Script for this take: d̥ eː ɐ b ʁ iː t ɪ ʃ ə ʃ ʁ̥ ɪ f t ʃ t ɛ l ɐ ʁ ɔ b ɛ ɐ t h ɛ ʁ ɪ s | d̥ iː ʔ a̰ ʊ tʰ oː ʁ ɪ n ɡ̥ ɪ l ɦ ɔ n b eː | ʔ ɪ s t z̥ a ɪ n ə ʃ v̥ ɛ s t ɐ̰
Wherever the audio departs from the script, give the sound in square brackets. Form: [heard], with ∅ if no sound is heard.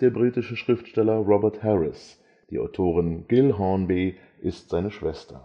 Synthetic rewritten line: d̥ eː ɐ b ʁ iː t ɪ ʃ ə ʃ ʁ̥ ɪ f t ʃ t ɛ l ɐ ʁ ɔ b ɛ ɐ t h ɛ ʁ ɪ s | d̥ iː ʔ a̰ ʊ tʰ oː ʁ ɪ n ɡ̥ ɪ l ɦ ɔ n b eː | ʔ ɪ s t z̥ a ɪ n ə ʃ v̥ ɛ s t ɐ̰